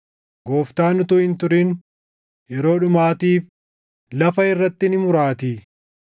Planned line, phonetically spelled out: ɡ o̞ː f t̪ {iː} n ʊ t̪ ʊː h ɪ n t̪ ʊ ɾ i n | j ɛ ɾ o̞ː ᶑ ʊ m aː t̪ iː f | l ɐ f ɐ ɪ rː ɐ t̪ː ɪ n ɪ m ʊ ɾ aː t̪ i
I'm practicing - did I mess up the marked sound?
yes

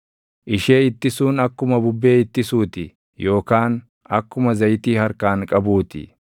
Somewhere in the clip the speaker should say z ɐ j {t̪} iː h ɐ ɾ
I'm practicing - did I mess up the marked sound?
no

